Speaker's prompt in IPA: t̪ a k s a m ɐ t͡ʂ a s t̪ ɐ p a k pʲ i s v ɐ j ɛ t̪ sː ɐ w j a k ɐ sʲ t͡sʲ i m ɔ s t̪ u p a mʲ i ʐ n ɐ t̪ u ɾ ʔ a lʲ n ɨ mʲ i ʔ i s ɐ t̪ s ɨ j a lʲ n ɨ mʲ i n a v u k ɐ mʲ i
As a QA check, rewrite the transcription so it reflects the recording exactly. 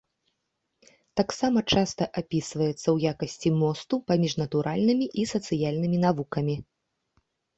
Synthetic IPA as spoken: t̪ a k s a m ɐ t͡ʂ a s t̪ ɐ ʔ a pʲ i s v ɐ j ɛ t̪ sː ɐ w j a k ɐ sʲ t͡sʲ i m ɔ s t̪ u p a mʲ i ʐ n ɐ t̪ u ɾ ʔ a lʲ n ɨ mʲ i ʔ i s ɐ t̪ s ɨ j a lʲ n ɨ mʲ i n a v u k ɐ mʲ i